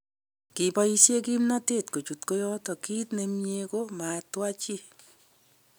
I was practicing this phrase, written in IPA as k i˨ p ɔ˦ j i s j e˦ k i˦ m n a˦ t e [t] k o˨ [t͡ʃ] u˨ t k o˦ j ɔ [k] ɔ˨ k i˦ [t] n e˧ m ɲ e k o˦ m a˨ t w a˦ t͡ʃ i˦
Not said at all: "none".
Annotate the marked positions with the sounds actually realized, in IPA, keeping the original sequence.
t, t͡ʃ, t, t

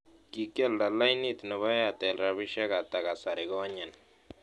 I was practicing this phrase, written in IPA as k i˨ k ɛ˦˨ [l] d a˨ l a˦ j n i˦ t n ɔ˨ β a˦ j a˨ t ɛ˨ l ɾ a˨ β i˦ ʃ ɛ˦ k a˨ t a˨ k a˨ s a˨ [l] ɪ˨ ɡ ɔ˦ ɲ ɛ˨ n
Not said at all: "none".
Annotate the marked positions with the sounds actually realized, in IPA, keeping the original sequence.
l, ɾ

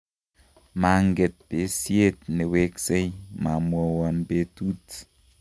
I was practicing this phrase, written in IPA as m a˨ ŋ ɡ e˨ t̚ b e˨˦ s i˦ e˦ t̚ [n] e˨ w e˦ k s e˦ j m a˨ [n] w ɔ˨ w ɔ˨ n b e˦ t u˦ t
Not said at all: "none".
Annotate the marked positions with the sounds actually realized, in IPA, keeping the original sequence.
n, m

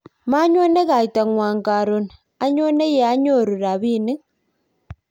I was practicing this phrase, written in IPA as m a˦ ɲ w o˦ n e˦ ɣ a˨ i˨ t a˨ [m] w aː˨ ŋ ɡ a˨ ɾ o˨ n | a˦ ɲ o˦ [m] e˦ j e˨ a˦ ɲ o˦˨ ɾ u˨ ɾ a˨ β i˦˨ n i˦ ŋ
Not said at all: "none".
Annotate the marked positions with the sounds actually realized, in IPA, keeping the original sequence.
ŋ, n

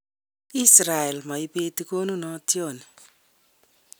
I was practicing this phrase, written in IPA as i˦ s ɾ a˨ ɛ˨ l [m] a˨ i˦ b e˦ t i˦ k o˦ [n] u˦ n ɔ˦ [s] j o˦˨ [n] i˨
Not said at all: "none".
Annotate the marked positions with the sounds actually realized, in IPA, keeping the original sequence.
m, n, t, n

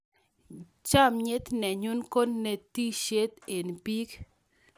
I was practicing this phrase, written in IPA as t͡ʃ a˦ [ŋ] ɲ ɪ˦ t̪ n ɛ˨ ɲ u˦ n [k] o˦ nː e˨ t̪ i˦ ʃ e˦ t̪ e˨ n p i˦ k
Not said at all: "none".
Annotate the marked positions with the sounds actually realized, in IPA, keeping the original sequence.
m, k

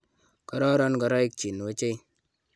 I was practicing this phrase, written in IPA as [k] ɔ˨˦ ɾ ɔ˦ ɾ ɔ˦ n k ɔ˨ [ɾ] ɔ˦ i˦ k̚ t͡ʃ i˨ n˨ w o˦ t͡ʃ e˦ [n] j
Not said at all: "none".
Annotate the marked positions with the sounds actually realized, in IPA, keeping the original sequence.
k, ɾ, none

